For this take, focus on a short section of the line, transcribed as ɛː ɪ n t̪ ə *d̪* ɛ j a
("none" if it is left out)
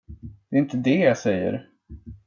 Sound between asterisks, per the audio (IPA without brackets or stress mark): d̪